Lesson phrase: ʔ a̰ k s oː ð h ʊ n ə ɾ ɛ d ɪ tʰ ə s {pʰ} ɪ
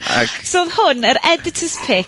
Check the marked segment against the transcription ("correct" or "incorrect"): correct